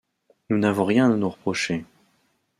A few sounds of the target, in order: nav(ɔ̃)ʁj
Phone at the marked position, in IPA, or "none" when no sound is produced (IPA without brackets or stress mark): ɔ̃